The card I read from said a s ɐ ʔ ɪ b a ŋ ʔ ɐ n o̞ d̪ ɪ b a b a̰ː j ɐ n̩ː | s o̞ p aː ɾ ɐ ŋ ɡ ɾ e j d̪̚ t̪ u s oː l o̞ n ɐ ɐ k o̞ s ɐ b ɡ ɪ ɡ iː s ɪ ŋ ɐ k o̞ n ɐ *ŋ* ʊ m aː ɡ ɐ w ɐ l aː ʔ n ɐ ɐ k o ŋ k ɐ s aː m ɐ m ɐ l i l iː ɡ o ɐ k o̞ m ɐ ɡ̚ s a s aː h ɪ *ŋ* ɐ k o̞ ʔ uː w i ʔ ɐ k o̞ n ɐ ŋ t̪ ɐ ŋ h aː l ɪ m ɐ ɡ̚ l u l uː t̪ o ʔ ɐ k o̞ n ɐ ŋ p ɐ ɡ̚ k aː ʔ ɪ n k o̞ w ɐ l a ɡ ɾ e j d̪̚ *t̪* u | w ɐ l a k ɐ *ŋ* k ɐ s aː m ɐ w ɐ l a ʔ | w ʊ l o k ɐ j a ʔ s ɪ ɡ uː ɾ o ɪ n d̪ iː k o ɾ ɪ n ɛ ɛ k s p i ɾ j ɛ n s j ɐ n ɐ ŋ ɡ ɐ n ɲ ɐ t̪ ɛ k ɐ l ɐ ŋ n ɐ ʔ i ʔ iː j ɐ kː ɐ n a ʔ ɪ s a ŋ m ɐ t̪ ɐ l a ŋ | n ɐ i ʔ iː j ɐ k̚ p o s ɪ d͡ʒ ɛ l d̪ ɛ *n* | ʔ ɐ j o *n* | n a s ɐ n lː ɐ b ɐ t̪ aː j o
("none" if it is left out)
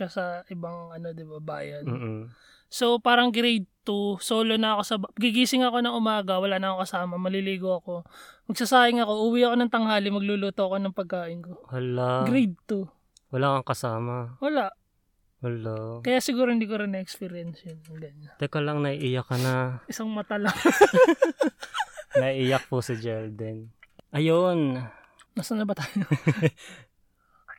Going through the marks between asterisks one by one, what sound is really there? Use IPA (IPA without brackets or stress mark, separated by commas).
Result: ŋ, ŋ, t̪, ŋ, n, n